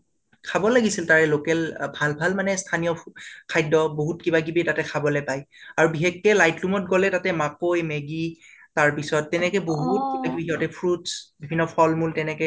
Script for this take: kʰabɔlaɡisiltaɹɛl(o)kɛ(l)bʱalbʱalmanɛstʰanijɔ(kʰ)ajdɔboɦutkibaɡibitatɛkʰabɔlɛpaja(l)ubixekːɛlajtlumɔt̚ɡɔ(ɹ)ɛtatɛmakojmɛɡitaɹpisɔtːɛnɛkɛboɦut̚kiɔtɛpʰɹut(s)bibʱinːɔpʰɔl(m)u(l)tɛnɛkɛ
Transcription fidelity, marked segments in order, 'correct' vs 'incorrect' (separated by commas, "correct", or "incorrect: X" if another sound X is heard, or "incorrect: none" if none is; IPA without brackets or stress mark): correct, correct, correct, incorrect: ɹ, incorrect: l, correct, correct, correct